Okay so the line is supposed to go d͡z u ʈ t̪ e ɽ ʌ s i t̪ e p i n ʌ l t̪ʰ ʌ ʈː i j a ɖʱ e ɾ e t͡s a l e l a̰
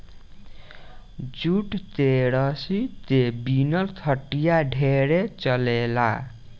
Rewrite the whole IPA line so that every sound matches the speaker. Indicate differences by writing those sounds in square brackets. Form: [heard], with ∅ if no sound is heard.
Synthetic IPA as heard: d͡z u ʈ t̪ e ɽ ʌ s i t̪ e [b] i n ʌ l t̪ʰ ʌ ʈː i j a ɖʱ e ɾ e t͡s [ʌ] l e l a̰